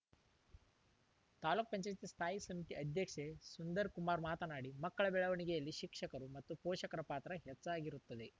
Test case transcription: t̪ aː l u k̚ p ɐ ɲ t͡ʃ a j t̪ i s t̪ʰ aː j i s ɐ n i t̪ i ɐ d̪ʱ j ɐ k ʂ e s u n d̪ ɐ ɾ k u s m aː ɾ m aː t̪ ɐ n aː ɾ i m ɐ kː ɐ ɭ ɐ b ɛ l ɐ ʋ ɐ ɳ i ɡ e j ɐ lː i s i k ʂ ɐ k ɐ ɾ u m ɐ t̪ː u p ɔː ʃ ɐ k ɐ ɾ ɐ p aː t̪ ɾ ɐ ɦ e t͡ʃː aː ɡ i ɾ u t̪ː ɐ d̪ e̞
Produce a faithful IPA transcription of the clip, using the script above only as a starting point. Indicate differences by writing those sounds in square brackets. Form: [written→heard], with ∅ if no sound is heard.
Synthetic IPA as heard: t̪ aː l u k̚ p ɐ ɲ t͡ʃ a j t̪ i s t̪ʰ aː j i s ɐ [n→m] i t̪ i ɐ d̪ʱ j ɐ k ʂ e s u n d̪ ɐ ɾ k u [s→∅] m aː ɾ m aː t̪ ɐ n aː [ɾ→ɽ] i m ɐ kː ɐ ɭ ɐ b ɛ [l→ɭ] ɐ ʋ ɐ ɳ i ɡ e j ɐ lː i [s→ʃ] i k ʂ ɐ k ɐ ɾ u m ɐ t̪ː u p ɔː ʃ ɐ k ɐ ɾ ɐ p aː t̪ ɾ ɐ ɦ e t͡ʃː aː ɡ i ɾ u t̪ː ɐ d̪ e̞